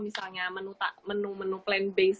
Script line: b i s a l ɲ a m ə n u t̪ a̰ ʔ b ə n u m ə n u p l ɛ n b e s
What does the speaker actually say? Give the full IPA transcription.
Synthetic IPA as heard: m i s a l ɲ a m ə n u t̪ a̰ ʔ m ə n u m ə n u p l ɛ n b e s